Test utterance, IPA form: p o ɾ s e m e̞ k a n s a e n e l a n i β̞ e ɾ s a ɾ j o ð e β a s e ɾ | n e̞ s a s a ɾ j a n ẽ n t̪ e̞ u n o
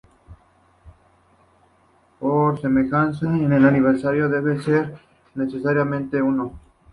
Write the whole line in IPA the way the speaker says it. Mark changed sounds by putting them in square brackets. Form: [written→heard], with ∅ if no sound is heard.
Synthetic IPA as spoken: p o ɾ s e m e̞ [k→x] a n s a e n e l a n i β̞ e ɾ s a ɾ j o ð e β [a→e] s e ɾ | n e̞ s [a→e] s a ɾ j a [n→m] ẽ n t̪ e̞ u n o